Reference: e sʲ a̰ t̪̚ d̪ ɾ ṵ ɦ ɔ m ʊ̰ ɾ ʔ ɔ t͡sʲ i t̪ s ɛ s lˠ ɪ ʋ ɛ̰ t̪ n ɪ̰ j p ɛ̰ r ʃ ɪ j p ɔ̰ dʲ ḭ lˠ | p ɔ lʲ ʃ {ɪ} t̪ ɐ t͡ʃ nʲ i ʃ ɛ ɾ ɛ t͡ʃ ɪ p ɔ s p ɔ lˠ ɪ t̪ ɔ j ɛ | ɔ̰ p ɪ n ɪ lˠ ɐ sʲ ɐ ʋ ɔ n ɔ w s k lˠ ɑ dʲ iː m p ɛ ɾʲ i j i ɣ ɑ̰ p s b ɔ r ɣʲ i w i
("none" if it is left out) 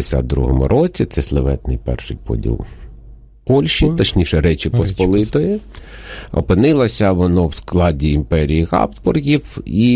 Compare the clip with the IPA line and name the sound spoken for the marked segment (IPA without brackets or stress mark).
i